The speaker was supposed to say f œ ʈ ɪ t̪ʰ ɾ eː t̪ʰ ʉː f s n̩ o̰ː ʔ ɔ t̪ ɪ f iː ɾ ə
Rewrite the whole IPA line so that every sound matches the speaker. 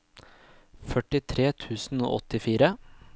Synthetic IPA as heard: f œ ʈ ɪ t̪ʰ ɾ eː t̪ʰ ʉː s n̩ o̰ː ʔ ɔ t̪ ɪ f iː ɾ ə